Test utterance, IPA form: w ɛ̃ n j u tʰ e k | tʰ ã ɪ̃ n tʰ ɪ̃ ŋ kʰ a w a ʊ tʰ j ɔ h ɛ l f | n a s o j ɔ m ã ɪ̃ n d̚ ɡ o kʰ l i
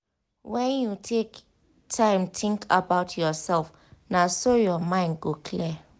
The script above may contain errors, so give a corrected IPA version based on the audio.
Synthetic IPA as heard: w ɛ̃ n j u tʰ e k | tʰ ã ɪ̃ m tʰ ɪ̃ ŋ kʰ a b a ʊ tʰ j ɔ s ɛ l f | n a s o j ɔ m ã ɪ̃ n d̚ ɡ o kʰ l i